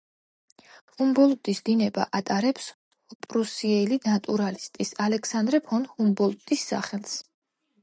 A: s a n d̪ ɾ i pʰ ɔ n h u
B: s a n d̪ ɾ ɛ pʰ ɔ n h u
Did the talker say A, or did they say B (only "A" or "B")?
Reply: B